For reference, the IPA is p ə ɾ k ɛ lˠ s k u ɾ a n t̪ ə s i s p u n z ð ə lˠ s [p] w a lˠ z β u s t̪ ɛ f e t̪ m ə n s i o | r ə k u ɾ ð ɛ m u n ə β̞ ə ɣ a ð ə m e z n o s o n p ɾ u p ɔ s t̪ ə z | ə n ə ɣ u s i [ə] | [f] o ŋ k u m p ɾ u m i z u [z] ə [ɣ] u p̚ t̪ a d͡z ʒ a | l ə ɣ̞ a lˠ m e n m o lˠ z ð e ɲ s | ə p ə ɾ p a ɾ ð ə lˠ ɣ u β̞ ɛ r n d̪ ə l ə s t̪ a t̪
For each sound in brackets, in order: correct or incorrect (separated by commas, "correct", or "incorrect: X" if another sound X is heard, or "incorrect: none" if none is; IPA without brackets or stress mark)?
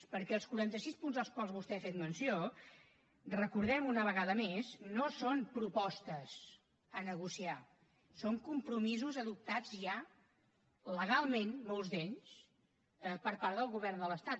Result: incorrect: k, incorrect: a, incorrect: s, correct, incorrect: ð